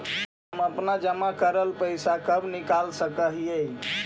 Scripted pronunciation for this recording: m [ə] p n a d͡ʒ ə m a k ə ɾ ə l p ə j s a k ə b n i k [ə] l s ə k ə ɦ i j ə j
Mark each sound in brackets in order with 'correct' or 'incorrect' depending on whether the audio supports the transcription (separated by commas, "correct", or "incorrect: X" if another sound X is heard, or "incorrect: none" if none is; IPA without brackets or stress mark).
correct, incorrect: a